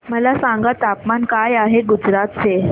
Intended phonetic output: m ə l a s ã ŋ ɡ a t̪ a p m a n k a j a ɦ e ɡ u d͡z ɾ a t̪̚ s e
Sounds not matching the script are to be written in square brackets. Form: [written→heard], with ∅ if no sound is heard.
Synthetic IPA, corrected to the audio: m ə l a s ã ŋ ɡ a t̪ a p m a n k a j a ɦ e ɡ u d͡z ɾ a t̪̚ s e